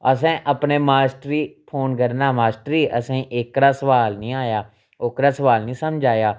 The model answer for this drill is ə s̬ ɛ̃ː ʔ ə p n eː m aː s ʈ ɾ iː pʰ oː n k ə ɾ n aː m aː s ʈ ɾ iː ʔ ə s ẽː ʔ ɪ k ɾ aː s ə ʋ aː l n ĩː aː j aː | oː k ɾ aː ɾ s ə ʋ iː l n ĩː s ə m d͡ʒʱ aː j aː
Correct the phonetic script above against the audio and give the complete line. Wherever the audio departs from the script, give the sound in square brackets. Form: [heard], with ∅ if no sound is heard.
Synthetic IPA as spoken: ə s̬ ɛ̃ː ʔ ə p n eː m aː s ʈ ɾ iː pʰ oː n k ə ɾ n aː m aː s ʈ ɾ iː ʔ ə s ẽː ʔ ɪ k ɾ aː s ə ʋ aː l n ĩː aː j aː | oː k ɾ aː [∅] s ə ʋ [aː] l n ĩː s ə m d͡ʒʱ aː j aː